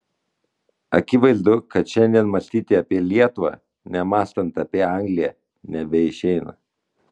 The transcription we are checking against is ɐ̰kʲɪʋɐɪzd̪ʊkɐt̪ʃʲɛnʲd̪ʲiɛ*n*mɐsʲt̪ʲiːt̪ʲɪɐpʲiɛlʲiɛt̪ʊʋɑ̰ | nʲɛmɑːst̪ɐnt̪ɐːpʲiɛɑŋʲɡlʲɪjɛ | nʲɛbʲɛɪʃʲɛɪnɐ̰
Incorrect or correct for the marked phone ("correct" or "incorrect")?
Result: correct